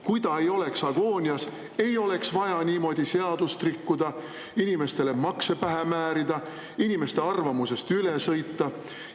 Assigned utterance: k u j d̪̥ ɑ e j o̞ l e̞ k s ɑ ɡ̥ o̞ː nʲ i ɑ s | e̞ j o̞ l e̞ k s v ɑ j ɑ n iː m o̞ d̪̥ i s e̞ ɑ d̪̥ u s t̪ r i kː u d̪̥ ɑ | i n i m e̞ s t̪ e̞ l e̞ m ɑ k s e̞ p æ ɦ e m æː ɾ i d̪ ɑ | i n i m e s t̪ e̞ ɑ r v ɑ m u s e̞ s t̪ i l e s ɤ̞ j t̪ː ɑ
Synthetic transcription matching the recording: k u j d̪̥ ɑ e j o̞ l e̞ k s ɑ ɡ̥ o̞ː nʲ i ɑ s | e̞ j o̞ l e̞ k s v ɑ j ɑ n iː m o̞ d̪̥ i s e̞ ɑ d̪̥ u s t̪ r i kː u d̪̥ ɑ | i n i m e̞ s t̪ e̞ l e̞ m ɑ k s e̞ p æ ɦ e m æː ɾ i d̪ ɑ | i n i m e s t̪ e̞ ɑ r v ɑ m u s e̞ s t̪ y l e s ɤ̞ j t̪ː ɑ